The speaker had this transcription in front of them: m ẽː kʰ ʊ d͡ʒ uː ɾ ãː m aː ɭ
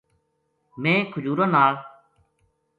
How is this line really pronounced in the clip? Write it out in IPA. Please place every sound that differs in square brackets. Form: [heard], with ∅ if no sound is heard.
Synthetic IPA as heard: m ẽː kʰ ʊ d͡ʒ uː ɾ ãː [n] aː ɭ